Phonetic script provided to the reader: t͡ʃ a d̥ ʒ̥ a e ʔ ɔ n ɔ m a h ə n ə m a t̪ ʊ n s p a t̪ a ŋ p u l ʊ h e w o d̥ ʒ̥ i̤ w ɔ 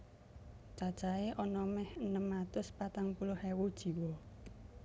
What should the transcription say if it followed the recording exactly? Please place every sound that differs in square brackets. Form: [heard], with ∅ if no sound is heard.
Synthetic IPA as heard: t͡ʃ a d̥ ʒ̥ a e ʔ ɔ n ɔ m [ɛ] h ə n ə m a t̪ ʊ [∅] s p a t̪ a ŋ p u l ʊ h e w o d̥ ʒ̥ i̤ w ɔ